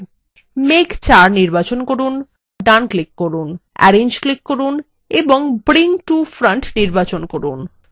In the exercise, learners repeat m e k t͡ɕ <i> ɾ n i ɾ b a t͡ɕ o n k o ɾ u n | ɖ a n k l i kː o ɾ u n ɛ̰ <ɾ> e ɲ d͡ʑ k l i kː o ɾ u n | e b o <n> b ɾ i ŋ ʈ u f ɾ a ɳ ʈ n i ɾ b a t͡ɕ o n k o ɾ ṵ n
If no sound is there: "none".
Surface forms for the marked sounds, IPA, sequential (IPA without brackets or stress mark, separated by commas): a, ɾ, ŋ